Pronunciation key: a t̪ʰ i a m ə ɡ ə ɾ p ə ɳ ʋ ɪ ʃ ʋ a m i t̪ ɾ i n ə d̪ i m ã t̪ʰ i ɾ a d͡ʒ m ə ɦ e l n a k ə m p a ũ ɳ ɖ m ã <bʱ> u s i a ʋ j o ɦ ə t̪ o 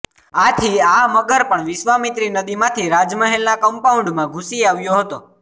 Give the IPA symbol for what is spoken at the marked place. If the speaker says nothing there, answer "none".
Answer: ɡʱ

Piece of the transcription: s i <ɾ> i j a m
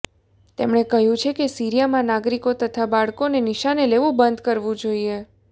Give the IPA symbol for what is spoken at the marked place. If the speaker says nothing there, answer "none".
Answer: ɾ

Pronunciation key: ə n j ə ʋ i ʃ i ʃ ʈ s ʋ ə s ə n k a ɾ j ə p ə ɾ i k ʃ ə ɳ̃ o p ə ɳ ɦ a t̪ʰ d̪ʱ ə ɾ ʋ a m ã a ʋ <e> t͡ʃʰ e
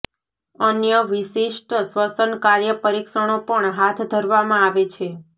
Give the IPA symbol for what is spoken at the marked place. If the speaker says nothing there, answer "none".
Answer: e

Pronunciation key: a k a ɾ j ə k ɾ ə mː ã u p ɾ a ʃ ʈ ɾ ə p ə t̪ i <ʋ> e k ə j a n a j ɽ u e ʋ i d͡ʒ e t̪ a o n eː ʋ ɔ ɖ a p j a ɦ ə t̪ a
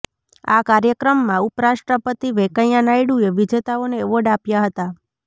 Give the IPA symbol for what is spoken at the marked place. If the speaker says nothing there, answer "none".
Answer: ʋ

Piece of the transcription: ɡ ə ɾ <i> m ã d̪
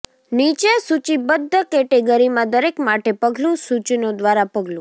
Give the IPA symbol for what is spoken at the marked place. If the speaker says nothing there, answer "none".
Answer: i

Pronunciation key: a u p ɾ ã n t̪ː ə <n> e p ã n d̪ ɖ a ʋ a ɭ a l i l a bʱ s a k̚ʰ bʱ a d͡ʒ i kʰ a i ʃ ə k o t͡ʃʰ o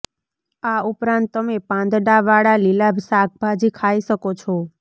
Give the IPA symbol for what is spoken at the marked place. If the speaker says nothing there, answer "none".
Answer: m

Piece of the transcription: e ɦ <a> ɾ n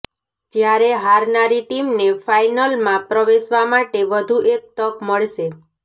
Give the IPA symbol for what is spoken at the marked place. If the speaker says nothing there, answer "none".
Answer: a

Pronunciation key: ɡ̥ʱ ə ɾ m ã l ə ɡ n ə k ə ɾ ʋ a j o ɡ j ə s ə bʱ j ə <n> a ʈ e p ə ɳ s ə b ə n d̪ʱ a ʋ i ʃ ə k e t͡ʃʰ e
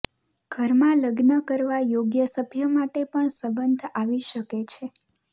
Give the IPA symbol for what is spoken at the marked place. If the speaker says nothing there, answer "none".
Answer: m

